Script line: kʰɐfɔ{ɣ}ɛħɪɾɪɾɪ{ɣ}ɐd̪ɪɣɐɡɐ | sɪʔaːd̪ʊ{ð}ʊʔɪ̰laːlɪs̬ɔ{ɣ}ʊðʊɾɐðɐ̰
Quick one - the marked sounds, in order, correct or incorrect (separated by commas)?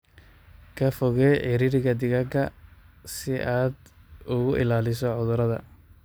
correct, correct, incorrect, incorrect